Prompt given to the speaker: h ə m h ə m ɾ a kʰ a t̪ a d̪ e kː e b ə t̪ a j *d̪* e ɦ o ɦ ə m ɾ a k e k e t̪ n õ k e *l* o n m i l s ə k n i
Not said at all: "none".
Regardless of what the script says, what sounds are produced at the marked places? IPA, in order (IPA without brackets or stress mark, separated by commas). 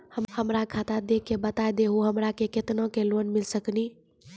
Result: d̪, l